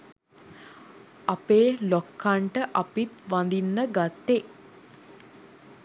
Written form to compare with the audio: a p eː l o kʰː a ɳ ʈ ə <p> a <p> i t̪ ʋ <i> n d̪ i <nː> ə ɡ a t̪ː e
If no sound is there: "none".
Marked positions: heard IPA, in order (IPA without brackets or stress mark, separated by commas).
ʔ, p, a, nː